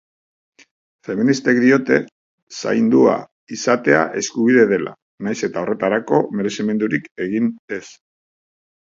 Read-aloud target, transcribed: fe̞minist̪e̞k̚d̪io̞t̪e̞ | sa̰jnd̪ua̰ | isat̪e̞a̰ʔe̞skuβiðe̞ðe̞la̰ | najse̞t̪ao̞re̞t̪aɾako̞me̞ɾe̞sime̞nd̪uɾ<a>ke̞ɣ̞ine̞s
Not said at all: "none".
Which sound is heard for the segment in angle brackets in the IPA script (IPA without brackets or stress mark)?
i